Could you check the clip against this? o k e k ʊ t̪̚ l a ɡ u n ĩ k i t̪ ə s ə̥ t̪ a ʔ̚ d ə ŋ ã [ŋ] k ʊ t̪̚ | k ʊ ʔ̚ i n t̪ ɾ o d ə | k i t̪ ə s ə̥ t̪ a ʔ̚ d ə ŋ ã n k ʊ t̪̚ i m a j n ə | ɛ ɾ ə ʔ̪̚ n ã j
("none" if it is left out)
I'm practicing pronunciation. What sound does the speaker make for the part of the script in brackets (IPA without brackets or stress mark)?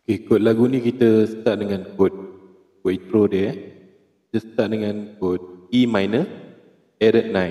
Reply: n